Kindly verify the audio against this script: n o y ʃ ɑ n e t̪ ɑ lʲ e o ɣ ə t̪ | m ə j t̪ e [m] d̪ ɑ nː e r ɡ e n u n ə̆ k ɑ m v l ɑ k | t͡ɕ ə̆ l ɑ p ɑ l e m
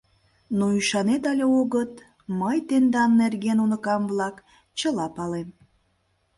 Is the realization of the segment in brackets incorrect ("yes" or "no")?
yes